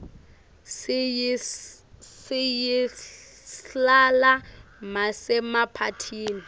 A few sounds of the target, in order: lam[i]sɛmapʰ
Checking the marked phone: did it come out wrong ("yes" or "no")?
yes